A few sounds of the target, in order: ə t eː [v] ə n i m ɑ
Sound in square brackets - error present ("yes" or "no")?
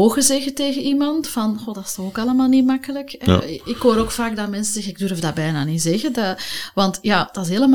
yes